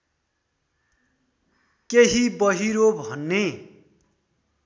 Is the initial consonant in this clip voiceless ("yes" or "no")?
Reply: yes